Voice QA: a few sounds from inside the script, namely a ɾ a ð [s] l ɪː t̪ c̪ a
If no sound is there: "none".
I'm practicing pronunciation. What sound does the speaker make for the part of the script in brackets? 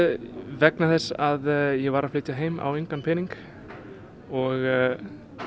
f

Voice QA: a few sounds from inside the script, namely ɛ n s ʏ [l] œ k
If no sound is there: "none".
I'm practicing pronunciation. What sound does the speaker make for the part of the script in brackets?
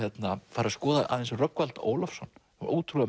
r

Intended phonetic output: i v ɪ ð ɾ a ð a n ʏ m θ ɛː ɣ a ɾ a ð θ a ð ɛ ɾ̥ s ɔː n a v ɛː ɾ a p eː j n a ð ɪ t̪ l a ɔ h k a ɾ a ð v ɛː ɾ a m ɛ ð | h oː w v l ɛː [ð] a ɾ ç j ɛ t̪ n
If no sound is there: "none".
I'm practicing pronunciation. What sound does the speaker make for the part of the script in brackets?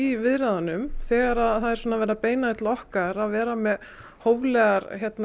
ɣ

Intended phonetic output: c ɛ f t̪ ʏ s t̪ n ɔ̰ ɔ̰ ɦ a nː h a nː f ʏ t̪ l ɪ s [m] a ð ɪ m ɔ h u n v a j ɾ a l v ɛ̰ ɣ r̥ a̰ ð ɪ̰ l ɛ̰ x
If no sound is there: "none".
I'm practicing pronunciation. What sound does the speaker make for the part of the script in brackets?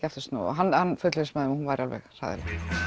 m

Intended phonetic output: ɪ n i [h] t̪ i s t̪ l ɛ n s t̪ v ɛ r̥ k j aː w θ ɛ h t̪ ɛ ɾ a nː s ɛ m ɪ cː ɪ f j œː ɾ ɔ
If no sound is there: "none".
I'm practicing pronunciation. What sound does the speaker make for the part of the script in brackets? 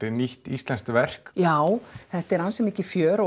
h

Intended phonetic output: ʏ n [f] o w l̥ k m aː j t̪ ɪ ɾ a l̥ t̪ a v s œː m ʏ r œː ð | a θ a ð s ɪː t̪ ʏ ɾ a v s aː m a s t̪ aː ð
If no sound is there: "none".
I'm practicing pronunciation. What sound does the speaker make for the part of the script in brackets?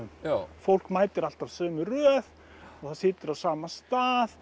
f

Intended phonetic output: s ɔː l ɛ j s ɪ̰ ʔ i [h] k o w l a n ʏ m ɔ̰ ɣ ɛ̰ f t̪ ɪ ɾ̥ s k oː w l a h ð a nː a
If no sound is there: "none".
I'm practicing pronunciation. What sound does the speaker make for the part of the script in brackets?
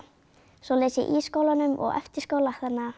s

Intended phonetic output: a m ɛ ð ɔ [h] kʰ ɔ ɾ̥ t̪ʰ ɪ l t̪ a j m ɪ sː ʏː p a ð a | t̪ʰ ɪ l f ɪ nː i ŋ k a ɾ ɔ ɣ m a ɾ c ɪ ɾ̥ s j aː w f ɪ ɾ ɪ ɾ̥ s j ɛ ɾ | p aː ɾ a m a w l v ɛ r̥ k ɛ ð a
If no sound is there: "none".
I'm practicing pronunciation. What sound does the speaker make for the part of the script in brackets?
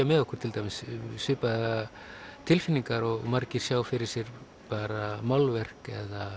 h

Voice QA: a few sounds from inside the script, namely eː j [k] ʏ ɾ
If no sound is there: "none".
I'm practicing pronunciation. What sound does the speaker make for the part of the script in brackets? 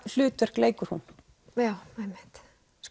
k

